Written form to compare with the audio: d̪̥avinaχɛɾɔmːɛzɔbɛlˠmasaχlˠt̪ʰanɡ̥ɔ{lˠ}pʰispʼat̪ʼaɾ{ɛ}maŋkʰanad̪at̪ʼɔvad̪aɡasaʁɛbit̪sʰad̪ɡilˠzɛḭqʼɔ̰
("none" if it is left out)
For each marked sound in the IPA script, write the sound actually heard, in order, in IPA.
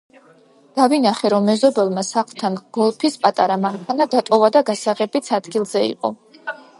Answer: lˠ, a

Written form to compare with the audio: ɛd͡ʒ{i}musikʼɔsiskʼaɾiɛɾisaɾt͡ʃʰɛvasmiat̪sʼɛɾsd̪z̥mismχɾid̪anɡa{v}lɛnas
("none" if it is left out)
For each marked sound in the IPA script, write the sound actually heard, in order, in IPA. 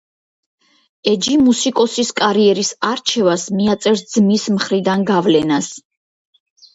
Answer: i, v

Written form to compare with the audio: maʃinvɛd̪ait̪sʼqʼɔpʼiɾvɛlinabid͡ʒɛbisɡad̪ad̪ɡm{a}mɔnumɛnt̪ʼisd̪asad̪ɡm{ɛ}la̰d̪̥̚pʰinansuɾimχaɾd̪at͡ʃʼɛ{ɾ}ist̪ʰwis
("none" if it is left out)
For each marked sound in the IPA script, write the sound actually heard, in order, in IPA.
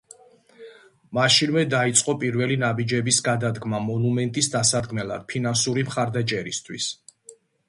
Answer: a, ɛ, ɾ

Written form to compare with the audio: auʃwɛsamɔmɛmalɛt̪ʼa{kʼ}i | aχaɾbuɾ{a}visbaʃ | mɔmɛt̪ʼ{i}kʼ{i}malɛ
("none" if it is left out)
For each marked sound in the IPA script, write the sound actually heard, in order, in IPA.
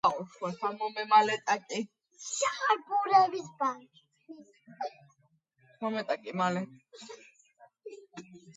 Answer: kʼ, ɛ, a, i

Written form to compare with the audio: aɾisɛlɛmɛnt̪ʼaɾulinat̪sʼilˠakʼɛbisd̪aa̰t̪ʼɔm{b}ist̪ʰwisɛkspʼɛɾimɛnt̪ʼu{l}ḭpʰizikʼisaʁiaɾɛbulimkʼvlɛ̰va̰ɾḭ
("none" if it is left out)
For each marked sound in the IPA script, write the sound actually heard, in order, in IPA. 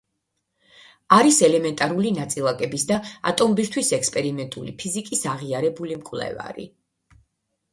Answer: b, l

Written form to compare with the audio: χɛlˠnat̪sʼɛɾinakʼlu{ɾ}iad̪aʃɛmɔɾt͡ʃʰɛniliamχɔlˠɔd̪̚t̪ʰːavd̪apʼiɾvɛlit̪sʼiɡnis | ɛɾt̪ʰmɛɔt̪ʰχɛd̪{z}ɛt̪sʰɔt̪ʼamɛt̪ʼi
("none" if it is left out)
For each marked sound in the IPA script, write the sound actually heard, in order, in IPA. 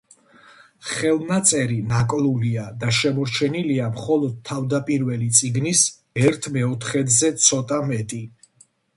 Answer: l, z

